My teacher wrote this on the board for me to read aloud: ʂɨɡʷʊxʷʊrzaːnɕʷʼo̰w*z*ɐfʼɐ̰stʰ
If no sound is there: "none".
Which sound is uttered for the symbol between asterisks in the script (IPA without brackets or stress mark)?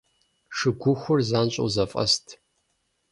z